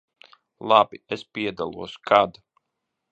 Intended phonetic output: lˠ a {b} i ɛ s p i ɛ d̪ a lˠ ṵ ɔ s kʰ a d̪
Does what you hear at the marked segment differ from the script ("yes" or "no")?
no